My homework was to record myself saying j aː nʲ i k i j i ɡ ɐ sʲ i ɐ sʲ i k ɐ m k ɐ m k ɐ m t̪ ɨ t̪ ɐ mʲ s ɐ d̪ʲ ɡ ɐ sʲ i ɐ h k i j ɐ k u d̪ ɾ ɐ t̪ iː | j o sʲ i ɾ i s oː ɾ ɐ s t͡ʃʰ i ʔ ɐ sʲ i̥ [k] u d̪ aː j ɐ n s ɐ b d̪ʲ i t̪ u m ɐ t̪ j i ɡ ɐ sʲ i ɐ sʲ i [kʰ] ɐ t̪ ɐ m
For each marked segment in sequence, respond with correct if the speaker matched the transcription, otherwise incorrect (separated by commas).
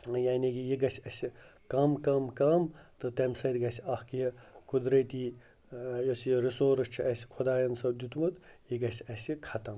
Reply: incorrect, correct